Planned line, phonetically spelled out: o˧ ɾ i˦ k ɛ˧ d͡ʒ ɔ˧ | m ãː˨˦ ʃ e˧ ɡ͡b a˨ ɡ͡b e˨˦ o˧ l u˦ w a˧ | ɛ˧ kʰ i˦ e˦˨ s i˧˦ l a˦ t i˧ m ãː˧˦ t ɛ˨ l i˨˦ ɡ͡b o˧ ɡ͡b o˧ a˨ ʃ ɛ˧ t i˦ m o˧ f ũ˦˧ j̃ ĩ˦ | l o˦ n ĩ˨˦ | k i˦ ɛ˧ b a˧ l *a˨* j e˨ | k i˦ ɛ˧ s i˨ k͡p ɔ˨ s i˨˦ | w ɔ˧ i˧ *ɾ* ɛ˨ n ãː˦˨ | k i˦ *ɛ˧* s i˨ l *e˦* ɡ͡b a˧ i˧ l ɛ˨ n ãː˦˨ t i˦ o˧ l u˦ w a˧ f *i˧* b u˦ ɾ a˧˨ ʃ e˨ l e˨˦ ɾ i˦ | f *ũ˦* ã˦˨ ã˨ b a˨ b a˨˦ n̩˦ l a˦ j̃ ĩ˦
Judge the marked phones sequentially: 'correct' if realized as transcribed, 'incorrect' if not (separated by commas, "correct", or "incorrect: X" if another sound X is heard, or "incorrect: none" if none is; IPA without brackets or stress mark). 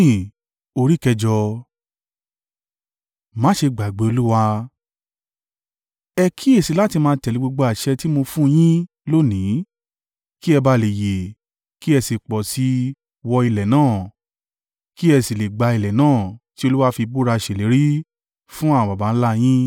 incorrect: e˨, incorrect: l, correct, incorrect: e˨, correct, correct